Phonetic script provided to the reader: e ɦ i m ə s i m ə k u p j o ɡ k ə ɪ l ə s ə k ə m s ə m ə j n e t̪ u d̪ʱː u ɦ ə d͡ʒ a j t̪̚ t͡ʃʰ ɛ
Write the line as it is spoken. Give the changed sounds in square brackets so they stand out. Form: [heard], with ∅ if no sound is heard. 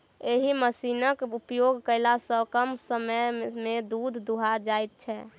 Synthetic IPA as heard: e ɦ i m ə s i [n] ə k u p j o ɡ k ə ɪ l [a] s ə k ə m s ə m ə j [m] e [d̪] u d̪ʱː u ɦ [a] d͡ʒ a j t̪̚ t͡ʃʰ ɛ